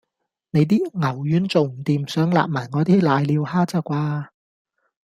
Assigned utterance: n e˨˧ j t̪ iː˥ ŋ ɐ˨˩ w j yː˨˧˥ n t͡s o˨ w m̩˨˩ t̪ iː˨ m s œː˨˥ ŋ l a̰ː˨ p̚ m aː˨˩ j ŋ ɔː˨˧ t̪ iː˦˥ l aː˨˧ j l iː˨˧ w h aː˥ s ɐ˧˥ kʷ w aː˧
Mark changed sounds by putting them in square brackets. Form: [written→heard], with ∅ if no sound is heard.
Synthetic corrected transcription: n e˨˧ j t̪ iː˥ ŋ ɐ˨˩ w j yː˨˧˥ n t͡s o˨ w m̩˨˩ t̪ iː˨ m s œː˨˥ ŋ l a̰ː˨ p̚ m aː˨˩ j ŋ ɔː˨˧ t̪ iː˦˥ l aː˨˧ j l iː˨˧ w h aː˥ [s→t͡s] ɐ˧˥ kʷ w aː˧